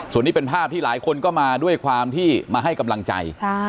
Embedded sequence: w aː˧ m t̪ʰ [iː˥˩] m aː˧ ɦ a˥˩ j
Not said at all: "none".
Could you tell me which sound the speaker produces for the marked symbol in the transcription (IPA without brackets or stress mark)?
iː˥˩